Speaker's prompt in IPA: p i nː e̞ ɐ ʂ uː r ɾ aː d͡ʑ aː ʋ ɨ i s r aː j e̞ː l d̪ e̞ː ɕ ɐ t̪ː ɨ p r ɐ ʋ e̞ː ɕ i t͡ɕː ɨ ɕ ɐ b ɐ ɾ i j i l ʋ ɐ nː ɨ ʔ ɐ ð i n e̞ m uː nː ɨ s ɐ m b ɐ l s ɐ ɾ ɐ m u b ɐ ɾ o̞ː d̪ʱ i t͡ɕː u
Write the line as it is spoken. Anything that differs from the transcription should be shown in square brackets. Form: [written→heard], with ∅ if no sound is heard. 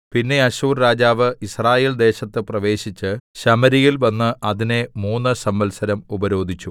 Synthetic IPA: p i nː e̞ ɐ [ʂ→ɕ] uː r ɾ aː d͡ʑ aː ʋ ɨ i s r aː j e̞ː l d̪ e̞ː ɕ ɐ t̪ː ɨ p r ɐ ʋ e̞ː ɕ i t͡ɕː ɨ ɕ ɐ [b→m] ɐ ɾ i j i l ʋ ɐ nː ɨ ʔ ɐ ð i n e̞ m uː nː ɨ s ɐ m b ɐ l s ɐ ɾ ɐ m u b ɐ ɾ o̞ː d̪ʱ i t͡ɕː u